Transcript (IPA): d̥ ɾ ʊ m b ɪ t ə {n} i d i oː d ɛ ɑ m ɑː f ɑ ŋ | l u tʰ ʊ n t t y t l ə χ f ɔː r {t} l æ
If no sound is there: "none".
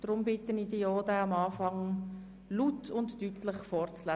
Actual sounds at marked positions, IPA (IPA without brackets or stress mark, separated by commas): n, t͡s